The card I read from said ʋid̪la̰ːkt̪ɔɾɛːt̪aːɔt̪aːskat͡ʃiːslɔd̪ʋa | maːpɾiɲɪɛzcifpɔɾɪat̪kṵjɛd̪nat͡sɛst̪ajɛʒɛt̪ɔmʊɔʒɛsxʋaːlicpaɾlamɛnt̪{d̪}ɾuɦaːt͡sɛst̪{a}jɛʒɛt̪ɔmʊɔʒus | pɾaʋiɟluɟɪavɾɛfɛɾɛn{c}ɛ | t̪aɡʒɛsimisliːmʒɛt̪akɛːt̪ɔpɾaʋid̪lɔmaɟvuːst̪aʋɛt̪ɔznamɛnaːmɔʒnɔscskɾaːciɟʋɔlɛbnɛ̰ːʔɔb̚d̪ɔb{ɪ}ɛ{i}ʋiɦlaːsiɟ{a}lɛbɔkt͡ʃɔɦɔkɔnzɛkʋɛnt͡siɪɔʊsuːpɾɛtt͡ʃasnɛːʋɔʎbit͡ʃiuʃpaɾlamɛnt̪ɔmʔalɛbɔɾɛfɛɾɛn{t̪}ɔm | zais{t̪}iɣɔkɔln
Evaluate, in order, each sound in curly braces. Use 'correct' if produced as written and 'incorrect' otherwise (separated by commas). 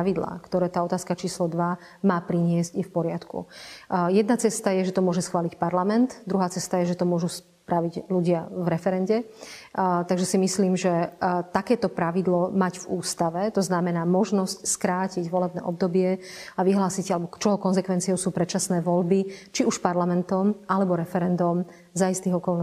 correct, correct, incorrect, correct, incorrect, correct, incorrect, correct